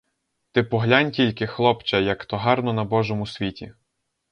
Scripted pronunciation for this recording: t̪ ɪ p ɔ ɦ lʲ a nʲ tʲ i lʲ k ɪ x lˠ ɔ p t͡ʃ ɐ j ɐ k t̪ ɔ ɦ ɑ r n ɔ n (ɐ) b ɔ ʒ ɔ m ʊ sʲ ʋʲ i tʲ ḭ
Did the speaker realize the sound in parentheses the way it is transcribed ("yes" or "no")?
yes